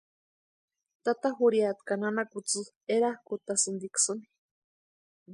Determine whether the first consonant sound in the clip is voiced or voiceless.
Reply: voiceless